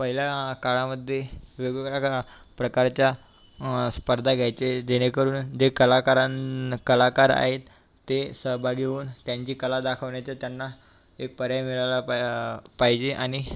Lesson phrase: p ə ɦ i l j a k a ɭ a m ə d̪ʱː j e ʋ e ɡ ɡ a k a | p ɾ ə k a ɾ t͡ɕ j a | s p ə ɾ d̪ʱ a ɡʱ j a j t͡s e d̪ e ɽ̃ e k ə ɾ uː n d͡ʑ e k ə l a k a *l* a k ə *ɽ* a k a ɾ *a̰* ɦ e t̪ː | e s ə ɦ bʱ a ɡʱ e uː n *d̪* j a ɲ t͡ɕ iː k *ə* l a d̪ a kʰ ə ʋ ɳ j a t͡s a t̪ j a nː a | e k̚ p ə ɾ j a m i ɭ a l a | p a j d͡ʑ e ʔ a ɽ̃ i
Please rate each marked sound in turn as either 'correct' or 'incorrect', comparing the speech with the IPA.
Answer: incorrect, incorrect, correct, incorrect, correct

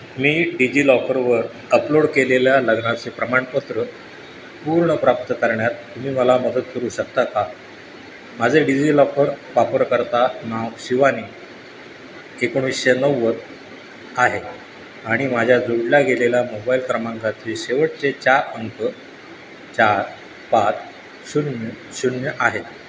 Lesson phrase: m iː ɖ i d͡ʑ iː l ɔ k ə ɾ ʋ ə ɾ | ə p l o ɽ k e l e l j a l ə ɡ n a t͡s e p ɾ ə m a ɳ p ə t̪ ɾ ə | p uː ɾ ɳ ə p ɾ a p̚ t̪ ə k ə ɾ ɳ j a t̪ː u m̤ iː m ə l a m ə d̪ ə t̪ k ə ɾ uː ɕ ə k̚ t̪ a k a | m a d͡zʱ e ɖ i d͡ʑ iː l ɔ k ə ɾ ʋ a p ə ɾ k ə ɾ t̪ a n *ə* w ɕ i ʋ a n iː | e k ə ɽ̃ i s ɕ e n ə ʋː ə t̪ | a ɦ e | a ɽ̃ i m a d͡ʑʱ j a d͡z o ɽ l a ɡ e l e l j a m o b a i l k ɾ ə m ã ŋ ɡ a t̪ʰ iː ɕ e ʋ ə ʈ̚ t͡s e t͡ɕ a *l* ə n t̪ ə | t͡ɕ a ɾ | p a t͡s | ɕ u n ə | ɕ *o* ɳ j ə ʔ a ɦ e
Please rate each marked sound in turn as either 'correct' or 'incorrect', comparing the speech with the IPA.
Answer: incorrect, incorrect, incorrect

